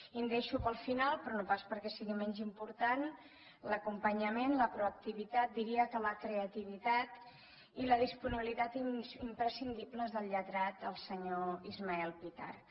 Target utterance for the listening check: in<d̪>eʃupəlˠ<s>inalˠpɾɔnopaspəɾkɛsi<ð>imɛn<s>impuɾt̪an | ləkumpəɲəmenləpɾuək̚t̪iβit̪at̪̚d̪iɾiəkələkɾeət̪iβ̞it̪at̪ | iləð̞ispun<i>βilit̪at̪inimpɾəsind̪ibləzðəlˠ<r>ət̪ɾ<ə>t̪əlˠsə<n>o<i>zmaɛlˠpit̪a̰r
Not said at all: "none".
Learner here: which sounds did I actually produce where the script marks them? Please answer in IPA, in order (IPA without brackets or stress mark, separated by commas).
d̪, f, ɣ, z, i, ʎ, a, ɲ, i